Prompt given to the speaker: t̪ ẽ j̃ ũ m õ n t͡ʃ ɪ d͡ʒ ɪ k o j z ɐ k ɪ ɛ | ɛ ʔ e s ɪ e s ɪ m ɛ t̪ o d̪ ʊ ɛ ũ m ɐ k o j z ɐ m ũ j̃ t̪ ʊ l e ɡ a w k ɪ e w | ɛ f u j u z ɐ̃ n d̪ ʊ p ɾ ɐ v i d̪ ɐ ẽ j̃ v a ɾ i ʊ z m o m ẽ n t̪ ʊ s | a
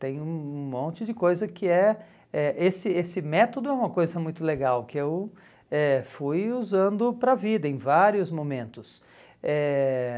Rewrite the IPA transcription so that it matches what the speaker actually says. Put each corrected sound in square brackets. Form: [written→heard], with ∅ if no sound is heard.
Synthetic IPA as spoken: t̪ ẽ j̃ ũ m õ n t͡ʃ ɪ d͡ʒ ɪ k o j z ɐ k ɪ ɛ | ɛ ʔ e s ɪ e s ɪ m ɛ t̪ o d̪ ʊ ɛ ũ m ɐ k o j z ɐ m ũ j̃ t̪ ʊ l e ɡ a w k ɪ e w | ɛ f u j u z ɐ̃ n d̪ ʊ p ɾ ɐ v i d̪ ɐ ẽ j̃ v a ɾ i ʊ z m o m ẽ n t̪ ʊ s | [a→ɛ]

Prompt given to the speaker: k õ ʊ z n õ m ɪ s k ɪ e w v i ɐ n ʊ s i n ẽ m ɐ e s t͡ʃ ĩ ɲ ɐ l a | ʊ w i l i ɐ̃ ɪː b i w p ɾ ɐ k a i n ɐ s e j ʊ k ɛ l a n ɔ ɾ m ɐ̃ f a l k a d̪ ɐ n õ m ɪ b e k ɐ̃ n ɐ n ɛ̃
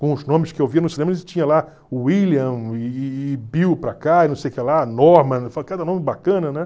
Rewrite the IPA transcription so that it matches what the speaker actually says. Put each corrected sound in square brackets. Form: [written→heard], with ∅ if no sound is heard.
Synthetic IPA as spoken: k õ ʊ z n õ m ɪ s k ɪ e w v i ɐ n ʊ s i n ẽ m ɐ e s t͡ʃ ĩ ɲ ɐ l a | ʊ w i l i ɐ̃ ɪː b i w p ɾ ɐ k a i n [ɐ→ɐ̃] s e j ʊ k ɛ l a n ɔ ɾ m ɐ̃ f a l k a d̪ ɐ n õ m ɪ b [e→a] k ɐ̃ n ɐ n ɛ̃

